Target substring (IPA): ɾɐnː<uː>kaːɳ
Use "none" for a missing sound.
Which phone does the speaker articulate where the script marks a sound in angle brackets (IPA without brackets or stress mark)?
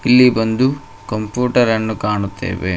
u